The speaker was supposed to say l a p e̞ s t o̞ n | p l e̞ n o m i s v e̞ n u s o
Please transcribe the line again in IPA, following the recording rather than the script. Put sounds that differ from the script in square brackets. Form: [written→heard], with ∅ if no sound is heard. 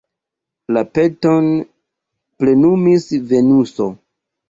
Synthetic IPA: l a p e̞ [s→∅] t o̞ n | p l e̞ n [o→u] m i s v e̞ n u s o